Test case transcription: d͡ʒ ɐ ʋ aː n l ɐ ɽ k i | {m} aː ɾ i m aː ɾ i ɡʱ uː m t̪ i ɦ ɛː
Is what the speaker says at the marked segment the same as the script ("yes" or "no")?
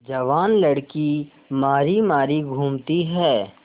yes